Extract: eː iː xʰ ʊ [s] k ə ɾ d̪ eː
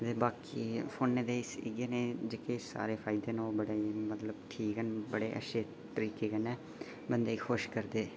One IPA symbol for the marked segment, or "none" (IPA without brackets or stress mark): ʃ